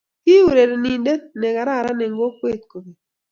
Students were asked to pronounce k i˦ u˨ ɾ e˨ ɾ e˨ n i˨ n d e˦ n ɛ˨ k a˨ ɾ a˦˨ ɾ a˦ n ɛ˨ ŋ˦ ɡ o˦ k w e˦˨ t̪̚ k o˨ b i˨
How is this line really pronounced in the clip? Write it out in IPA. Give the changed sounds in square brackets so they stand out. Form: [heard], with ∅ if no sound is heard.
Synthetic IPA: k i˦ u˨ ɾ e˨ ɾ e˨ n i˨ n d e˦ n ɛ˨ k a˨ ɾ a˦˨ ɾ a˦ n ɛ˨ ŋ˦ ɡ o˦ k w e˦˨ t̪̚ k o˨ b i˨